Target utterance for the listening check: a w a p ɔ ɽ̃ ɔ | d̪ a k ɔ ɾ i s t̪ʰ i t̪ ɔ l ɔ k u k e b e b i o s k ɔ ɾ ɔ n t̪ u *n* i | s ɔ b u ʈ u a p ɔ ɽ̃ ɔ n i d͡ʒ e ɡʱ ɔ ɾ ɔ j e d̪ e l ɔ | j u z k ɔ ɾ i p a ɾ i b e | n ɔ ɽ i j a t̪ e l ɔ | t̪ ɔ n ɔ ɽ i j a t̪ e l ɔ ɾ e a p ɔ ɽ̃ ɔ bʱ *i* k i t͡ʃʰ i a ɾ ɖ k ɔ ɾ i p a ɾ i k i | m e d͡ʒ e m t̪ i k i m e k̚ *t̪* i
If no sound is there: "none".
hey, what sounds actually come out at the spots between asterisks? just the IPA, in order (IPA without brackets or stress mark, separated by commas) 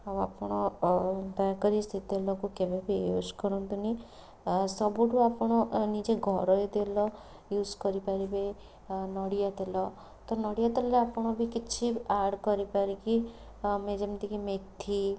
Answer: n, i, t̪ʰ